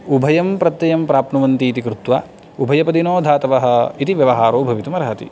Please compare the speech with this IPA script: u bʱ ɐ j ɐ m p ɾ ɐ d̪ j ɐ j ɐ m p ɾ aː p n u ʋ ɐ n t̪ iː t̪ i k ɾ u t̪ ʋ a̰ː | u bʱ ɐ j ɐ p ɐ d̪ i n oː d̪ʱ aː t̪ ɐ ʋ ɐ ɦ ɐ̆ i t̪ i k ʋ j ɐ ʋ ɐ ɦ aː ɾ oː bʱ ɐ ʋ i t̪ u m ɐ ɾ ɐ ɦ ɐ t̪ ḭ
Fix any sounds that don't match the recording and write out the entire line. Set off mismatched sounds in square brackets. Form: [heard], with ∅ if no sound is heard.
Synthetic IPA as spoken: u bʱ ɐ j ɐ m p ɾ ɐ [t̪] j ɐ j ɐ m p ɾ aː p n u ʋ ɐ n t̪ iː t̪ i k ɾ u t̪ ʋ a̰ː | u bʱ ɐ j ɐ p ɐ d̪ i n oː d̪ʱ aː t̪ ɐ ʋ ɐ ɦ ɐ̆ i t̪ i [∅] ʋ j ɐ ʋ ɐ ɦ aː ɾ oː bʱ ɐ ʋ i t̪ u m ɐ ɾ ɐ ɦ ɐ t̪ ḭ